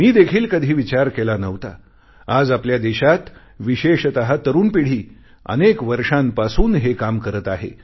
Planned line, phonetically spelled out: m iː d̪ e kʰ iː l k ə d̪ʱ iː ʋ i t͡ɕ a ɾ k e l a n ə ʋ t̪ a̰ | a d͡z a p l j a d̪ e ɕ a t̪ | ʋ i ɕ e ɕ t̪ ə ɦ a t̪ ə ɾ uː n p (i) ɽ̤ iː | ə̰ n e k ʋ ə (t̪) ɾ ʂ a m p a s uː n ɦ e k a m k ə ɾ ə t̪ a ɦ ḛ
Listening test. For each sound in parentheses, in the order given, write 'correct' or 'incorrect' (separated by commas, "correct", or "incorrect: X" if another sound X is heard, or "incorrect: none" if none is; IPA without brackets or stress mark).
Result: correct, incorrect: none